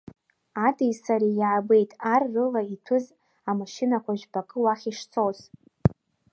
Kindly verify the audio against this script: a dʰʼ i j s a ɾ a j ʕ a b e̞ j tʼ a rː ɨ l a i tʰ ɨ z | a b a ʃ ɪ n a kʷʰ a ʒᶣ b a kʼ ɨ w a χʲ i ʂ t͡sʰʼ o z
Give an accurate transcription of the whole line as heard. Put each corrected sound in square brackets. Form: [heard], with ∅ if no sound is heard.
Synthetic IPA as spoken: a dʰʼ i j s a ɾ [i] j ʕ a b e̞ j tʼ a rː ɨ l a i tʰ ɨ z | a [m] a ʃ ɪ n a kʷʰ a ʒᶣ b a kʼ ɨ w a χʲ i ʂ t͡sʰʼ o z